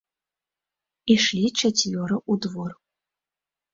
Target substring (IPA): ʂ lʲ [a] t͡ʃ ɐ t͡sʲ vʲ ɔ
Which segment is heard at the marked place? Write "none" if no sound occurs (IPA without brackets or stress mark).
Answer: i